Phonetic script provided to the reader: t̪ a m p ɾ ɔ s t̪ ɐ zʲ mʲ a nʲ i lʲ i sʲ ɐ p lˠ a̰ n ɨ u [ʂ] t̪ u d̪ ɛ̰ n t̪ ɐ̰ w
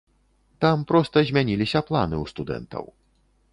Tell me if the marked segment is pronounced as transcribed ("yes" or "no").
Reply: no